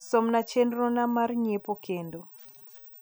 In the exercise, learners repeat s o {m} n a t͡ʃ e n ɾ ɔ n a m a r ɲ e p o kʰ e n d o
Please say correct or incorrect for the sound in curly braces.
correct